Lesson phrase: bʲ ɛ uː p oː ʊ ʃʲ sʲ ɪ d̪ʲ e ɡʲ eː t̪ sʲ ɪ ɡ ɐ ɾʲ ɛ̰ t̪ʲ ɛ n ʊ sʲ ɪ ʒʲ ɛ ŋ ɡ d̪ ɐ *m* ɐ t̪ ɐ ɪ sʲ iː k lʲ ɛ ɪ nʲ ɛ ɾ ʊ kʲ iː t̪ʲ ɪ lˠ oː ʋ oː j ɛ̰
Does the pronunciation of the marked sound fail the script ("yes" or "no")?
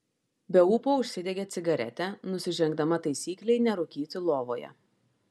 no